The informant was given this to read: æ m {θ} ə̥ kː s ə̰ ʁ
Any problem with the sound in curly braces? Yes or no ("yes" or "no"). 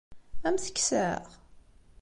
no